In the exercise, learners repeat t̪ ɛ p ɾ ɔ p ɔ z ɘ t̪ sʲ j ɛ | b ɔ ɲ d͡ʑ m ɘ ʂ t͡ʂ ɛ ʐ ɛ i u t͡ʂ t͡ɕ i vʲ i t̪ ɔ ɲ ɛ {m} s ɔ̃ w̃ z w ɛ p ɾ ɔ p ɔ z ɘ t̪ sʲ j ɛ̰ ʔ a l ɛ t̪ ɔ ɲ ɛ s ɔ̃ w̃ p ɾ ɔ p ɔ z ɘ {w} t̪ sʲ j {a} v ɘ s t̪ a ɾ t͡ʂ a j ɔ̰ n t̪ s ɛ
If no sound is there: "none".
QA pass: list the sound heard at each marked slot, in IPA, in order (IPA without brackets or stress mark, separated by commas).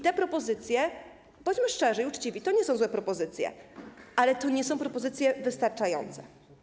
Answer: none, none, ɛ